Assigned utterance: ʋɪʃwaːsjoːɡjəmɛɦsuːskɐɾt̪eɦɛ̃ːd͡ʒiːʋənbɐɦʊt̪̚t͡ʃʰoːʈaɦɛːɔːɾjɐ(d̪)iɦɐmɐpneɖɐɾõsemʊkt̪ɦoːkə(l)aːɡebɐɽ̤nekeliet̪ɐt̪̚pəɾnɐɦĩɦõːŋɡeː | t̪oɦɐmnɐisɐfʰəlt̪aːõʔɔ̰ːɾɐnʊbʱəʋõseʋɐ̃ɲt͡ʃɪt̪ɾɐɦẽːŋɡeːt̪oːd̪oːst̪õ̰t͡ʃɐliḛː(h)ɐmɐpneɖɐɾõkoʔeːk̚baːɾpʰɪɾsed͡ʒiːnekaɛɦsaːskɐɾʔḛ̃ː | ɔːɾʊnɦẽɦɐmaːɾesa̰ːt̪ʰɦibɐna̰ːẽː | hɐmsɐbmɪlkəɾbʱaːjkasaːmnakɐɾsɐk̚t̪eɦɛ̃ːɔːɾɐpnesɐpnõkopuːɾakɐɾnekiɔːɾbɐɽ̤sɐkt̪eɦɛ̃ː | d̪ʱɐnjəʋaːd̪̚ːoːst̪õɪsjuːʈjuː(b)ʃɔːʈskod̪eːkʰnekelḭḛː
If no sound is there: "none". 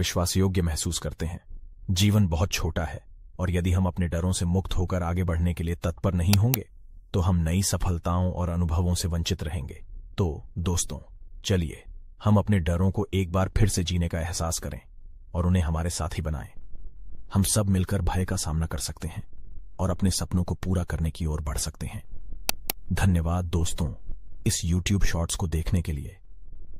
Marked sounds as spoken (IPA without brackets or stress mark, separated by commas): d̪, ɾ, h, b